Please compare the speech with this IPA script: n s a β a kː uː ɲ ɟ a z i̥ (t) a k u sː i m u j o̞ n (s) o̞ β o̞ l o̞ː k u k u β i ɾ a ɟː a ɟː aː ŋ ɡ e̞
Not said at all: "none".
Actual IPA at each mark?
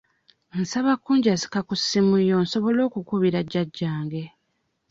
k, s

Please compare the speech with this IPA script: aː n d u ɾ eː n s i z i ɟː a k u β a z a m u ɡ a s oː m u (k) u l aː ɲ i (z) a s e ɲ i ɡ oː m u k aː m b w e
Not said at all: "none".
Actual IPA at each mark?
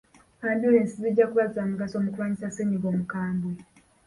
k, s

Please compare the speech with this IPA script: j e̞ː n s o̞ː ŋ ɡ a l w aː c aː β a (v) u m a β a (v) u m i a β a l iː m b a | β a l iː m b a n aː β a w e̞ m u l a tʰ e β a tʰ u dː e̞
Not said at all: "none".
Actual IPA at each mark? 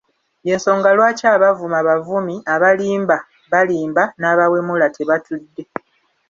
v, v

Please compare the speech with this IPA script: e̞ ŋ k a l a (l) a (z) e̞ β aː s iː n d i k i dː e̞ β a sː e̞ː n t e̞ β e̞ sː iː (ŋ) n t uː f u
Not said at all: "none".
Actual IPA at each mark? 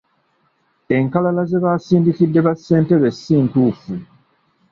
l, z, none

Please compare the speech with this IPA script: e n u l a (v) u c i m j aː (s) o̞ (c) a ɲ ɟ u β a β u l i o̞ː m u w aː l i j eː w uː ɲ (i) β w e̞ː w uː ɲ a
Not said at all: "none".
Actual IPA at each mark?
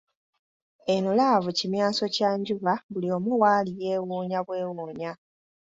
v, s, c, a

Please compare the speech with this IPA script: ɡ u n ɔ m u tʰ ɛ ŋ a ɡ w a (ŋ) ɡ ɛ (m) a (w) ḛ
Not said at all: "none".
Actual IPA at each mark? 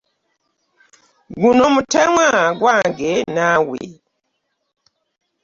ŋ, n, w

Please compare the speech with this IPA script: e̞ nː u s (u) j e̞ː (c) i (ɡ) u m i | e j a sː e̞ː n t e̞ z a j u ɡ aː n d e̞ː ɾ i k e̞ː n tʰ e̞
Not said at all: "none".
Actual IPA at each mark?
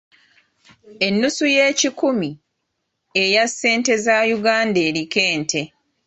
u, c, k

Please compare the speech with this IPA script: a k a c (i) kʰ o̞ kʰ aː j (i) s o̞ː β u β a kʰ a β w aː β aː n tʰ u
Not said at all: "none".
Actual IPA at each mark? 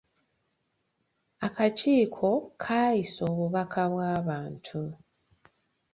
iː, i

